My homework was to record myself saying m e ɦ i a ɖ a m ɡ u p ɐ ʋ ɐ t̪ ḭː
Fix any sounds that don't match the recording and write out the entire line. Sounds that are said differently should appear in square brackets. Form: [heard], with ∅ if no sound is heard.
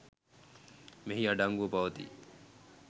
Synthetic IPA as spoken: m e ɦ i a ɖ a [ŋ] ɡ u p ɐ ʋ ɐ t̪ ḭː